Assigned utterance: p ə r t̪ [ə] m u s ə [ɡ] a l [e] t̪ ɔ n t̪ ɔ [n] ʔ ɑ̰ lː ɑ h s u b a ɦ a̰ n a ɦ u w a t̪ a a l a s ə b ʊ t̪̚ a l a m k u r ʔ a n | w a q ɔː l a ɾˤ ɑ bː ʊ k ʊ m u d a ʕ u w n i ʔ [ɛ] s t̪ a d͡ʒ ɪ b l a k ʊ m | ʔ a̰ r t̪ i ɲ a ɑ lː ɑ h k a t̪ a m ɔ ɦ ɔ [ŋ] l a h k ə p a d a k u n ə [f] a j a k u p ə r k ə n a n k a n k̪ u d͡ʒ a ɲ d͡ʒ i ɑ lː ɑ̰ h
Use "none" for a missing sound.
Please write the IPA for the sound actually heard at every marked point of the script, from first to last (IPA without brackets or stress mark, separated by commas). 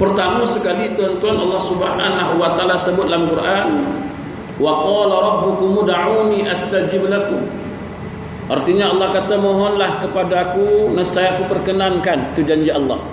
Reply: a, k, i, n, a, n, s